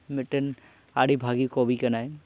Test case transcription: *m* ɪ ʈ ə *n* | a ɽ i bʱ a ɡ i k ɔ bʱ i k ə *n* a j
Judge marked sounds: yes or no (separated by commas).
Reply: yes, yes, yes